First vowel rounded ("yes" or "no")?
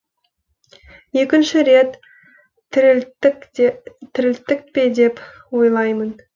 no